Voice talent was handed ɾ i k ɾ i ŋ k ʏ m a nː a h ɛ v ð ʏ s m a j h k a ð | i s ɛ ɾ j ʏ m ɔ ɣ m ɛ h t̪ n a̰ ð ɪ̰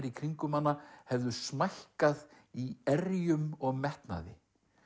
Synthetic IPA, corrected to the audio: ɾ i kʰ ɾ i ŋ k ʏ m a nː a h ɛ v ð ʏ s m a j h k a ð | i ɛ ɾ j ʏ m ɔ ɣ m ɛ h t̪ n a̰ ð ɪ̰